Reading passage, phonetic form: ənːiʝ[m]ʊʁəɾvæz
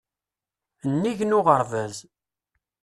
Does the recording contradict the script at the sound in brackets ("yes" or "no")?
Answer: yes